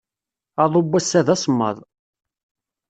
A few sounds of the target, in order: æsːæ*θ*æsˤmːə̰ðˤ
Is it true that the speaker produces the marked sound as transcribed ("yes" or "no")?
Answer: no